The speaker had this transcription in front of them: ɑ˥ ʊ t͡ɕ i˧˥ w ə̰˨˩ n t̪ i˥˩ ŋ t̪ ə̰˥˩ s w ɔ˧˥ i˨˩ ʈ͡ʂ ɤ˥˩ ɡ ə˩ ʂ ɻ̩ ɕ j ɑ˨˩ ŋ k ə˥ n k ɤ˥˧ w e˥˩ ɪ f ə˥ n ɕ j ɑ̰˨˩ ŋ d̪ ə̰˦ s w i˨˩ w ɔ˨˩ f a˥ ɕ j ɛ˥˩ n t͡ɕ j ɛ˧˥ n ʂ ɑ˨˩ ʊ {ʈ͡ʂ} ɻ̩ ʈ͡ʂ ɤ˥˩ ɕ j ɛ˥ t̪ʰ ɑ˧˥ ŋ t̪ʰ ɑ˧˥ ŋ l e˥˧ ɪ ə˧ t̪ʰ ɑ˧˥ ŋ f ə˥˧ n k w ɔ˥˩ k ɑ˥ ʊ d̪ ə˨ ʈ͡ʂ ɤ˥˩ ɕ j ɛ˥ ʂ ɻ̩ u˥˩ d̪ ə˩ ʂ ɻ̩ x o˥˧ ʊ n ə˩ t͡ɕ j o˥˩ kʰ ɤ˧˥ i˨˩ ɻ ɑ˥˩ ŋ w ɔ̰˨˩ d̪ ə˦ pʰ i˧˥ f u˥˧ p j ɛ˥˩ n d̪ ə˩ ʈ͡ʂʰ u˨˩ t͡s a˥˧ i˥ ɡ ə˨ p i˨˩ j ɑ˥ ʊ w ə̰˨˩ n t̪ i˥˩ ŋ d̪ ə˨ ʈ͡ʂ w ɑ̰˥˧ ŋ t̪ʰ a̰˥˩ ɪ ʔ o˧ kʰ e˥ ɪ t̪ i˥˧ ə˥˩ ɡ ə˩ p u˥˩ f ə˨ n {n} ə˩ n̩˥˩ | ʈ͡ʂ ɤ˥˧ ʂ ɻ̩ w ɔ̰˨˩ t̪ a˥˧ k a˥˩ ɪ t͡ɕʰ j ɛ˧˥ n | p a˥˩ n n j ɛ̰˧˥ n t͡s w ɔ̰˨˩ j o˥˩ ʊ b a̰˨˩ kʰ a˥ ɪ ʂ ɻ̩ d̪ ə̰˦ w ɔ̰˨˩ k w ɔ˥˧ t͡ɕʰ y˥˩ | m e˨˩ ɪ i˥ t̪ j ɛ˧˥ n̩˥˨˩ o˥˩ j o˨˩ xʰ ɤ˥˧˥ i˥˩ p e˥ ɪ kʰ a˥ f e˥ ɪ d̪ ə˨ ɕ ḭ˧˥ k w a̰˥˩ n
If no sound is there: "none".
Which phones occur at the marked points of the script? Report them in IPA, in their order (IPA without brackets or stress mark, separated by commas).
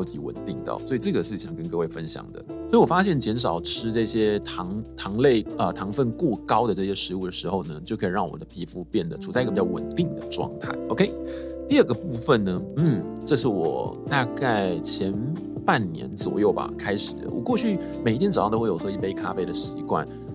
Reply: ʈ͡ʂʰ, n